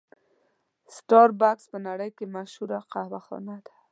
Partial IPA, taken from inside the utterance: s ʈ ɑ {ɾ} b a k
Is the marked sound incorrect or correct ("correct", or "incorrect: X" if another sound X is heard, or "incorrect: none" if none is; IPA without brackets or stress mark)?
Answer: correct